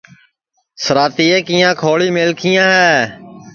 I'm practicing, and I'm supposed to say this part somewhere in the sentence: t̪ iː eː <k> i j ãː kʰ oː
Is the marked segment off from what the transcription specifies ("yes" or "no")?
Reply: no